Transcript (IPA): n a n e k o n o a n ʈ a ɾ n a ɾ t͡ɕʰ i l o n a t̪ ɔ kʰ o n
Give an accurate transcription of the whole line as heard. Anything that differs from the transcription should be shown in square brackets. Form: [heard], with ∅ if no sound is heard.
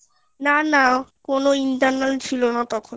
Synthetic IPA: n a n [a] k o n o [i] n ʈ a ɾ n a [l] t͡ɕʰ i l o n a t̪ ɔ kʰ o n